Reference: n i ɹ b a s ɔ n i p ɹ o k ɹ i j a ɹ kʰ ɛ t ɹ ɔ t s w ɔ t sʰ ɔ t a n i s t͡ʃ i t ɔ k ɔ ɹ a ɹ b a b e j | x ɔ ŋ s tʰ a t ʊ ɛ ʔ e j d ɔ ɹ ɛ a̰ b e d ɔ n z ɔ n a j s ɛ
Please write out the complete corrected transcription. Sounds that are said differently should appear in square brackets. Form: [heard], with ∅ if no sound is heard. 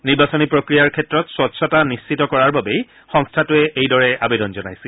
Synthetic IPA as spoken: n i ɹ b a s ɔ n i p ɹ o k ɹ i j a ɹ kʰ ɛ t ɹ ɔ t s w ɔ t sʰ ɔ t a n i s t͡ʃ i t ɔ k ɔ ɹ a ɹ b a b e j | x ɔ ŋ s tʰ a t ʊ ɛ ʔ e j d ɔ ɹ ɛ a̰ b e d ɔ n z ɔ n a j s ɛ

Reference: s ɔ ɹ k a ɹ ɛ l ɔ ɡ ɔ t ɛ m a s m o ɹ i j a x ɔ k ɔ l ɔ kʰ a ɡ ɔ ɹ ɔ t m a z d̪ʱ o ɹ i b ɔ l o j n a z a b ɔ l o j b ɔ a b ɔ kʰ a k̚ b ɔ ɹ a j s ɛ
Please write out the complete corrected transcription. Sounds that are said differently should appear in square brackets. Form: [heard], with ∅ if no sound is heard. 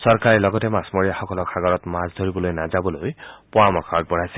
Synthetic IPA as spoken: s ɔ ɹ k a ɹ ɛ l ɔ ɡ ɔ t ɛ m a s m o ɹ i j a x ɔ k ɔ l ɔ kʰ a ɡ ɔ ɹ ɔ t m a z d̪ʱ o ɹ i b ɔ l o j n a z a b ɔ l o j [p] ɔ a [m] ɔ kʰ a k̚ b ɔ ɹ a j s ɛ

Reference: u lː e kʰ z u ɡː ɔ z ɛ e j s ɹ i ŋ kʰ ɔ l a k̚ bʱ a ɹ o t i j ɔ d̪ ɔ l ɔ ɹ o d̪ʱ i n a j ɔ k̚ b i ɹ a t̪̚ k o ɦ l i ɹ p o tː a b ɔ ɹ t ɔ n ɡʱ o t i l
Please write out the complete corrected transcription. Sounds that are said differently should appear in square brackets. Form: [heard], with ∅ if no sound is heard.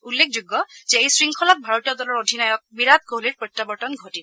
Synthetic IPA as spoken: u lː e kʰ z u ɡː ɔ z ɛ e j s ɹ i ŋ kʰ ɔ l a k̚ bʱ a ɹ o t i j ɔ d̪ ɔ l ɔ ɹ o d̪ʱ i n a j ɔ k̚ b i ɹ a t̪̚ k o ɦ l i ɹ p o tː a b ɔ ɹ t ɔ n ɡʱ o t i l

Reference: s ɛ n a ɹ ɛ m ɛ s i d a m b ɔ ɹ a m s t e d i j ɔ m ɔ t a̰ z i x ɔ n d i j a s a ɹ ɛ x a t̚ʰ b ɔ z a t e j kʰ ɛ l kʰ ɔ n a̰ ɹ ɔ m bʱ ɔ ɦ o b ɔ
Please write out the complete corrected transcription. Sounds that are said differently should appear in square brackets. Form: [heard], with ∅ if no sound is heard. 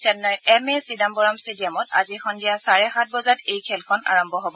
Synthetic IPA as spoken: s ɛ n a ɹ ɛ m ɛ s i d a m b ɔ ɹ a m s t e d i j ɔ m ɔ t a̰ z i x ɔ n d i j a s a ɹ ɛ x a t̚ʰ b ɔ z a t e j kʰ ɛ l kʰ ɔ n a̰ ɹ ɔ m bʱ ɔ ɦ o b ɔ

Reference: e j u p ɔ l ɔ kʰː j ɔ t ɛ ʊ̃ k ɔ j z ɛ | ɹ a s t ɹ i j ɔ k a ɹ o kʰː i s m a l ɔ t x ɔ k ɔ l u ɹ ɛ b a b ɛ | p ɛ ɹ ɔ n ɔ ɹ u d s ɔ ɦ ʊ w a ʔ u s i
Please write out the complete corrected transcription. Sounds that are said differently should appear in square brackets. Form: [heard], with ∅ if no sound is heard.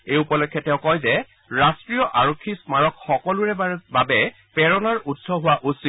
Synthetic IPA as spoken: e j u p ɔ l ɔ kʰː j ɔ t ɛ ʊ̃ k ɔ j z ɛ | ɹ a s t ɹ i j ɔ [ʔ] a ɹ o kʰː i s m a [ɹ] ɔ [k] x ɔ k ɔ l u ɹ ɛ b a b ɛ | p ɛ ɹ ɔ n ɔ ɹ u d s ɔ ɦ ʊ w a ʔ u s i

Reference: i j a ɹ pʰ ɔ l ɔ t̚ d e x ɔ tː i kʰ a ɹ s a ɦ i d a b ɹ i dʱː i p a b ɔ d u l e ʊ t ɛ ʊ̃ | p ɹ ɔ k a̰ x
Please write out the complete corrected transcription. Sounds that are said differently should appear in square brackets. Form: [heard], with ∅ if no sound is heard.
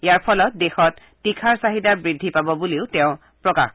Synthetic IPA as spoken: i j a ɹ pʰ ɔ l ɔ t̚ d e x ɔ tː i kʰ a ɹ s a ɦ i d a b ɹ i dʱː i p a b ɔ [b] u l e ʊ t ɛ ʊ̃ | p ɹ ɔ k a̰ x

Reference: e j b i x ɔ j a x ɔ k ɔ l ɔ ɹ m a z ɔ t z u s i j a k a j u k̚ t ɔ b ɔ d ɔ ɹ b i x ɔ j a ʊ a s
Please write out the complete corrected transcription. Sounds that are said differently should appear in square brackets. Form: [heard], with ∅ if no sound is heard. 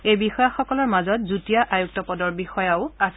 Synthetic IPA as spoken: e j b i x ɔ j a x ɔ k ɔ l ɔ ɹ m a z ɔ t z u [t] i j a [ʔ] a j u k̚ t ɔ [p] ɔ d ɔ ɹ b i x ɔ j a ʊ a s

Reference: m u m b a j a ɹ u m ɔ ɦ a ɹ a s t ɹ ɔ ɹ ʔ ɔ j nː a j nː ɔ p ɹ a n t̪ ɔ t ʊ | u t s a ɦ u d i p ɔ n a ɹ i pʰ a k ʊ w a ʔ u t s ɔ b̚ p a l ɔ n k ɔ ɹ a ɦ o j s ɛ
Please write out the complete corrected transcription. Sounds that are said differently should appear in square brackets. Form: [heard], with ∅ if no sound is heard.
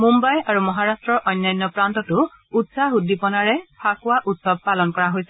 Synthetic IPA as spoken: m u m b a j a ɹ u m ɔ ɦ a ɹ a s t ɹ ɔ ɹ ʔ ɔ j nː a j nː ɔ p ɹ a n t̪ ɔ t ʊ | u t s a ɦ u d i p ɔ n a ɹ [ɛ] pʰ a k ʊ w a ʔ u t s ɔ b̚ p a l ɔ n k ɔ ɹ a ɦ o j s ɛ

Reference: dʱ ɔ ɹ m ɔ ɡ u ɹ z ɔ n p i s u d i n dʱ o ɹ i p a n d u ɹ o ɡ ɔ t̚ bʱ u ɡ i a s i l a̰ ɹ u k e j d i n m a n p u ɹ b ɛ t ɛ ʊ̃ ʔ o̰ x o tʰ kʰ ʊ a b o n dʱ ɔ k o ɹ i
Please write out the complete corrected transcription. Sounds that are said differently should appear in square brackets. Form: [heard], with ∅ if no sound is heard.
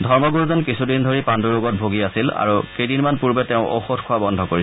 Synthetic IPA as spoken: dʱ ɔ ɹ m ɔ ɡ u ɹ z ɔ n [k] i s u d i n dʱ o ɹ i p a n d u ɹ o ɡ ɔ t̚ bʱ [o] ɡ i a s i l a̰ ɹ u k e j d i n m a n p u ɹ b ɛ t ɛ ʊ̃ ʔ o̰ x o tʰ kʰ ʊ a b [ɔ] n dʱ ɔ k o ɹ i

